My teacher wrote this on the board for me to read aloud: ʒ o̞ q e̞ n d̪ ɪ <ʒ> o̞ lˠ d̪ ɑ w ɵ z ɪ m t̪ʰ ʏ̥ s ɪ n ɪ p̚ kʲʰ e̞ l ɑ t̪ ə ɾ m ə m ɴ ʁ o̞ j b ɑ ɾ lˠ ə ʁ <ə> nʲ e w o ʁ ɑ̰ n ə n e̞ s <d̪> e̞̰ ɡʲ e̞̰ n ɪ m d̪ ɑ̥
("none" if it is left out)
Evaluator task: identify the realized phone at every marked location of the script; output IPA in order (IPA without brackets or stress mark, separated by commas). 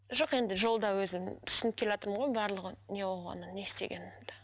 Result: ʒ, ə, t̪